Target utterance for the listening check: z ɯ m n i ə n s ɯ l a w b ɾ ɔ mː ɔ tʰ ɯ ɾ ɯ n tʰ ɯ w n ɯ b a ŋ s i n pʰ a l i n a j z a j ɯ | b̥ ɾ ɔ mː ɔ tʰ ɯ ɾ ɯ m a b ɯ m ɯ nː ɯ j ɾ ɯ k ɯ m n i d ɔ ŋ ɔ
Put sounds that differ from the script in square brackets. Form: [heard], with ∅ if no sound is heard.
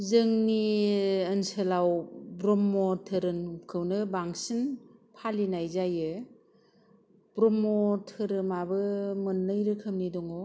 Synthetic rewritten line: z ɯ [ŋ] n i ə n s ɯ l a w b ɾ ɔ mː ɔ tʰ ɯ ɾ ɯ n [kʰ] ɯ w n ɯ b a ŋ s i n pʰ a l i n a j z a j ɯ | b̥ ɾ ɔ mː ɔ tʰ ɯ ɾ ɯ m a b ɯ m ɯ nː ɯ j ɾ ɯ [kʰ] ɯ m n i d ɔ ŋ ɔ